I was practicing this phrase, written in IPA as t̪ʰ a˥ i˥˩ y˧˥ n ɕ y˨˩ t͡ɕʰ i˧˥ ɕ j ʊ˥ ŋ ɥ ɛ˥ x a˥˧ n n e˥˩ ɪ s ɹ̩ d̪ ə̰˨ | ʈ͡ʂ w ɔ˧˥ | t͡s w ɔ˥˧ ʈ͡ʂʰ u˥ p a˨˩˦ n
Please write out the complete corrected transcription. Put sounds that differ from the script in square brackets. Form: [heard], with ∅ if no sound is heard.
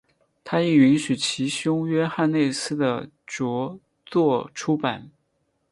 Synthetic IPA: t̪ʰ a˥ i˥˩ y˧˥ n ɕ y˨˩ t͡ɕʰ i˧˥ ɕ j ʊ˥ ŋ ɥ ɛ˥ x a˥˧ n n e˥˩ ɪ s ɹ̩ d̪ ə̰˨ | ʈ͡ʂ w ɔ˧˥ | t͡s w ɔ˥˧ ʈ͡ʂʰ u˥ p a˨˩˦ n